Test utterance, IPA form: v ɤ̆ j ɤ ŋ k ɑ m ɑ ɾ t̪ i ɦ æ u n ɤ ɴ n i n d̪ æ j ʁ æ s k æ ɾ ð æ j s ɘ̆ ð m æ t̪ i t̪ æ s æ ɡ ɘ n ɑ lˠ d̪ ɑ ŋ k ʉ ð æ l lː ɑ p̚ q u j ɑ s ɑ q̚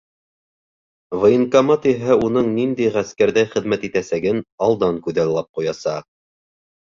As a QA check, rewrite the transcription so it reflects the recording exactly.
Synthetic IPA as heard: v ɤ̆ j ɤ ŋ k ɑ m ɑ t̪ i ɦ æ u n ɤ ɴ n i n d̪ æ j ʁ æ s k æ ɾ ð æ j χ ɘ̆ ð m æ t̪ i t̪ æ s æ ɡ ɘ n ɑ lˠ d̪ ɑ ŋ k ʉ ð æ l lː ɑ p̚ q u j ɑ s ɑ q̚